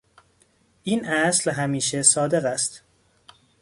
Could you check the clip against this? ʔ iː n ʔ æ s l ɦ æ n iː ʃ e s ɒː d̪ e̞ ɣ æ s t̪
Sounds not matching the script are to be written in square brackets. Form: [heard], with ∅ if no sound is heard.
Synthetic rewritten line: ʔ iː n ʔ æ s l ɦ æ [m] iː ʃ e s ɒː d̪ e̞ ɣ æ s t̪

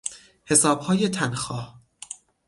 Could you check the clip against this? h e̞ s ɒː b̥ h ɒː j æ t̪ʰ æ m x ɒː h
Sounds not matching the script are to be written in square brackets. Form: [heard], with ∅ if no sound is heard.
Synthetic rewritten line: h e̞ s ɒː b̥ h ɒː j [e] t̪ʰ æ [n] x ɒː h

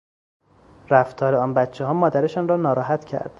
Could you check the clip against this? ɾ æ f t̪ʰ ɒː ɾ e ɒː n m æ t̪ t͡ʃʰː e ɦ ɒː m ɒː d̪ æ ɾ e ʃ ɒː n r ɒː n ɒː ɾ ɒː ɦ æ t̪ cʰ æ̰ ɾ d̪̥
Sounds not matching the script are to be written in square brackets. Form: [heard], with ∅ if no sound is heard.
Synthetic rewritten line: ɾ æ f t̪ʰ ɒː ɾ e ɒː n [b] æ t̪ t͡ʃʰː e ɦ ɒː m ɒː d̪ æ ɾ e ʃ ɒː n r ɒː n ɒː ɾ ɒː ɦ æ t̪ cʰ æ̰ ɾ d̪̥

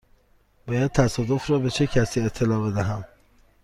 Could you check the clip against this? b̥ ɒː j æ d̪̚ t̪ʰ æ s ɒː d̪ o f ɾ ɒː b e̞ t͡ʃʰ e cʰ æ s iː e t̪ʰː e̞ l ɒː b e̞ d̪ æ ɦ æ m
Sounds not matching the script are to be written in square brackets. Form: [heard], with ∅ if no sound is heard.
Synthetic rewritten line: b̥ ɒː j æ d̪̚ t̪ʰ æ s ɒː d̪ o f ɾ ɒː b e̞ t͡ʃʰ e cʰ æ s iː e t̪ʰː e̞ l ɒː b e̞ d̪ æ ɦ æ m

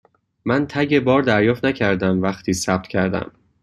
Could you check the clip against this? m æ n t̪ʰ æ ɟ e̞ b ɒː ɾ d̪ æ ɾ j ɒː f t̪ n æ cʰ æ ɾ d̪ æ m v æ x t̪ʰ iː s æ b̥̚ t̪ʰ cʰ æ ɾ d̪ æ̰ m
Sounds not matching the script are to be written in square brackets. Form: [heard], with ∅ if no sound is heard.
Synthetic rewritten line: m æ n t̪ʰ æ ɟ e̞ b ɒː ɾ d̪ æ ɾ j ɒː f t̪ n æ cʰ æ ɾ d̪ æ m v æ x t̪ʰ iː s æ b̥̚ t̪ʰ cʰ æ ɾ d̪ æ̰ m

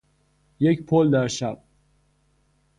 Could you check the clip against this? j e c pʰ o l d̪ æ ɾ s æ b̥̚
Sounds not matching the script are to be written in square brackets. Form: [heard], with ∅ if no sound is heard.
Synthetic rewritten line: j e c pʰ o l d̪ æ ɾ [ʃ] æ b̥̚

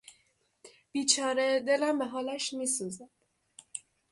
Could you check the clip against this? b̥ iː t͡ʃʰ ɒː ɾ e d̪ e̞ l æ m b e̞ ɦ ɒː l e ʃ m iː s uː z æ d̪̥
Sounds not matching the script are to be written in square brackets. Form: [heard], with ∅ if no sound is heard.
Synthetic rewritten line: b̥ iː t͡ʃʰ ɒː ɾ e d̪ e̞ l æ m b e̞ ɦ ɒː l [æ] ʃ m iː s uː z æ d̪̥

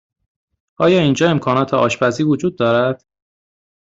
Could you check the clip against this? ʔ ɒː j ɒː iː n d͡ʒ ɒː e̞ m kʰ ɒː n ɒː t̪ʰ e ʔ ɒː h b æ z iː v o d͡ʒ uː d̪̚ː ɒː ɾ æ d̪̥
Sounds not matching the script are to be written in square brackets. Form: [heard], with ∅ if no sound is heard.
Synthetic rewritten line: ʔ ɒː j ɒː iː n d͡ʒ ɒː e̞ m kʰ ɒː n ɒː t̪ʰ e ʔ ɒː [ʃ] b æ z iː v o d͡ʒ uː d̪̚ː ɒː ɾ æ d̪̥

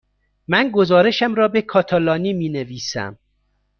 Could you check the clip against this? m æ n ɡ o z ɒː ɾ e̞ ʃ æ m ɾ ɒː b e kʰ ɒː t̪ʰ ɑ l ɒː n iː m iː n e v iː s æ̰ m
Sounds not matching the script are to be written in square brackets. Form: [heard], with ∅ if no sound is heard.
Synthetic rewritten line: m æ n ɡ o z ɒː ɾ e̞ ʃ æ m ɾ ɒː b e kʰ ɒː t̪ʰ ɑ l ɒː n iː m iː n e v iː s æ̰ m

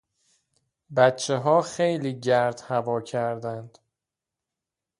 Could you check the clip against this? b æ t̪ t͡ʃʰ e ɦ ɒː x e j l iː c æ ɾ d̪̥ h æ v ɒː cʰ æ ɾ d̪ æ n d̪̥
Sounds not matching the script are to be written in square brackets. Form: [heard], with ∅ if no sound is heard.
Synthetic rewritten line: b æ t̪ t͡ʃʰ e ɦ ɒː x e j l iː [ɟ] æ ɾ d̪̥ h æ v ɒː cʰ æ ɾ d̪ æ n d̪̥

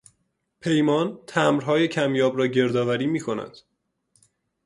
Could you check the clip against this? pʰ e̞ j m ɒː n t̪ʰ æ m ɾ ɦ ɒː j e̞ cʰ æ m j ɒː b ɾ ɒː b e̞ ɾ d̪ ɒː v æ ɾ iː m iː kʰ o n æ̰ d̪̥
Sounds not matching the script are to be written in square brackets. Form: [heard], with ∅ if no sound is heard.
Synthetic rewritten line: pʰ e̞ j m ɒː n t̪ʰ æ m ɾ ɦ ɒː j e̞ cʰ æ m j ɒː b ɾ ɒː [ɟ] e̞ ɾ d̪ ɒː v æ ɾ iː m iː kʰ o n æ̰ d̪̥

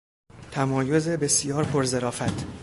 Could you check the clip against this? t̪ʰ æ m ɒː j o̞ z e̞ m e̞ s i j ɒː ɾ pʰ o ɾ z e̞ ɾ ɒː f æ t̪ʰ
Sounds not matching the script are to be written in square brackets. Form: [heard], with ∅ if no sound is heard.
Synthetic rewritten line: t̪ʰ æ m ɒː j o̞ z e̞ [b] e̞ s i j ɒː ɾ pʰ o ɾ z e̞ ɾ ɒː f æ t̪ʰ

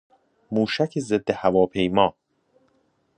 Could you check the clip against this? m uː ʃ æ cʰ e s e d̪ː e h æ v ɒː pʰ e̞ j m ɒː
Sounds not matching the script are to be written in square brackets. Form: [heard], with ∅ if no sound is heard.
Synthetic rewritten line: m uː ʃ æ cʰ e [z] e d̪ː e h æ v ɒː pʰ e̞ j m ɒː

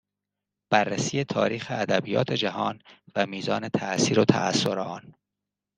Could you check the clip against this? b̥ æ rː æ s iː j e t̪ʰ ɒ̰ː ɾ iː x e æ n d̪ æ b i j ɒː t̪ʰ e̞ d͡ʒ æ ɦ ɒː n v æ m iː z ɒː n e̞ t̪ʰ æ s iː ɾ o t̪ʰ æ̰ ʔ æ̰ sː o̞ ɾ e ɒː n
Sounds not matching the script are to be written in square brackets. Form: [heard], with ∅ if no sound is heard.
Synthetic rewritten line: b̥ æ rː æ s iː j e t̪ʰ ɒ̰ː ɾ iː x e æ [∅] d̪ æ b i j ɒː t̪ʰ e̞ d͡ʒ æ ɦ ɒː n v æ m iː z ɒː n e̞ t̪ʰ æ s iː ɾ o t̪ʰ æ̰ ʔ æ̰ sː o̞ ɾ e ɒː n

